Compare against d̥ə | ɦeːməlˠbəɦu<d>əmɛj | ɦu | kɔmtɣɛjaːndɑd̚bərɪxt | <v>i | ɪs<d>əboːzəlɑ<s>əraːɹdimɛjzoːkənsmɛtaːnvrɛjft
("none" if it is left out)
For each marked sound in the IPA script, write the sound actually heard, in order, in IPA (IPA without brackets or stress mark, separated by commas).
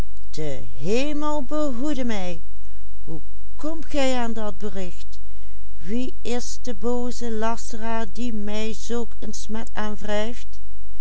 d, ʋ, d, s